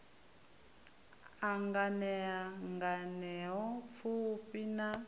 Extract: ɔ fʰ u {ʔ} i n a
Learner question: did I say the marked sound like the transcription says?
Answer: no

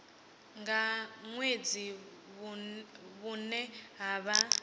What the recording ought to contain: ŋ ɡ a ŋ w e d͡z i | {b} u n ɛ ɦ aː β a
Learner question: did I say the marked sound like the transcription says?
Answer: no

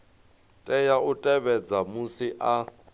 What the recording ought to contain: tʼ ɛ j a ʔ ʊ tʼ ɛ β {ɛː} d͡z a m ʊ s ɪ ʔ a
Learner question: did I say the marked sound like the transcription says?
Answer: no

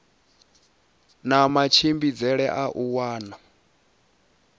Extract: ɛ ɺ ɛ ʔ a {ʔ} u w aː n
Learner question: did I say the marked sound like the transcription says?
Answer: yes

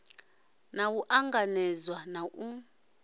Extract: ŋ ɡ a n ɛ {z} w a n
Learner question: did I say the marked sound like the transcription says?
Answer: yes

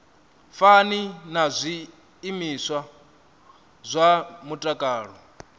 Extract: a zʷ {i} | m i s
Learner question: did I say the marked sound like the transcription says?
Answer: no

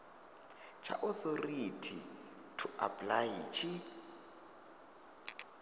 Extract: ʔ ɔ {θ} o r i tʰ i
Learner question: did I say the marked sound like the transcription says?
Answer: yes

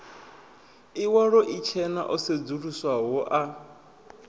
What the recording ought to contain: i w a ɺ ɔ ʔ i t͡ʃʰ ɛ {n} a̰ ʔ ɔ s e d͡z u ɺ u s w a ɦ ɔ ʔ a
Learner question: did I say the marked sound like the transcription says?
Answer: yes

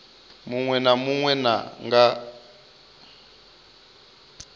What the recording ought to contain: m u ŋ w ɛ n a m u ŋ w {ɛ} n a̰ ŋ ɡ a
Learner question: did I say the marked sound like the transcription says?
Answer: yes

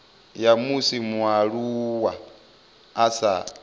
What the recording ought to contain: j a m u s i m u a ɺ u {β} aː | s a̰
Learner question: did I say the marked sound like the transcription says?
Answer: no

